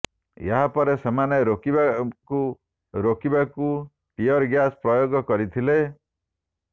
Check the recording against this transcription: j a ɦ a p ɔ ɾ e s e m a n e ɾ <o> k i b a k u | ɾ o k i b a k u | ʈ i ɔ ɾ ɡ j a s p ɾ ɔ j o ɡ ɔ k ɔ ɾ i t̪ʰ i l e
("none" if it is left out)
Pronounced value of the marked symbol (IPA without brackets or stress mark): o